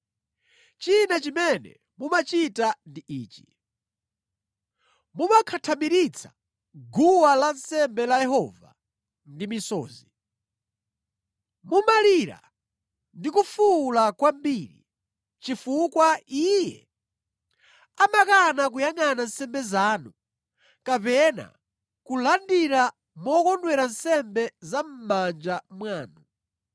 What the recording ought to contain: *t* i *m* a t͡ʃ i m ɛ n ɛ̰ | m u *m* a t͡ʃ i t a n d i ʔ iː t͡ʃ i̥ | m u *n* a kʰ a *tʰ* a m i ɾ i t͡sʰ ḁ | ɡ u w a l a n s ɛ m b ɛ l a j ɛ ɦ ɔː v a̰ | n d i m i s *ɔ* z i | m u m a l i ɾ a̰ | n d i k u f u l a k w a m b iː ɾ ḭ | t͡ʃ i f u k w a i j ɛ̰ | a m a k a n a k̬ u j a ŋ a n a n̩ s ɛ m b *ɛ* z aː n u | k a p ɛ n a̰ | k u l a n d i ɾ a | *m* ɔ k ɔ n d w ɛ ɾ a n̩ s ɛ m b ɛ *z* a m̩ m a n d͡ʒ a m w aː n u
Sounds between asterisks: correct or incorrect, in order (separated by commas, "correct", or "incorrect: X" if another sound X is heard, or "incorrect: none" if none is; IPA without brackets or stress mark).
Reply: incorrect: t͡ʃ, incorrect: n, correct, incorrect: m, correct, incorrect: ɔː, correct, correct, correct